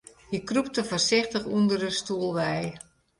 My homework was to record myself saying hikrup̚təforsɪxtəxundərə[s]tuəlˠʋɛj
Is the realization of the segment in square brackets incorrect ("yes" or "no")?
no